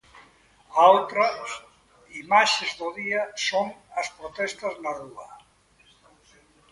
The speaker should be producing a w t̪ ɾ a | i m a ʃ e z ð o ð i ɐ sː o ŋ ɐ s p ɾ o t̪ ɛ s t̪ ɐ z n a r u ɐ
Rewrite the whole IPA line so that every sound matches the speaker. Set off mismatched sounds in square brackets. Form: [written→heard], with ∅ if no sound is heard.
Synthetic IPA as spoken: a w t̪ ɾ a | i m a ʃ e z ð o ð i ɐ [sː→s] o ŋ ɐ s p ɾ o t̪ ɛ s t̪ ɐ z n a r u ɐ